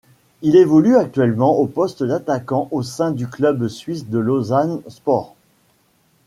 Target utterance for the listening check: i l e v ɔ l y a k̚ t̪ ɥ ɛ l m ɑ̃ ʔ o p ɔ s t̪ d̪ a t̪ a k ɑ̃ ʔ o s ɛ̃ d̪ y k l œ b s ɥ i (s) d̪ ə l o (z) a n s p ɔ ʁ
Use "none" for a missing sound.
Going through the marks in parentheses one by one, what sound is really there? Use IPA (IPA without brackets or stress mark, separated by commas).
s, z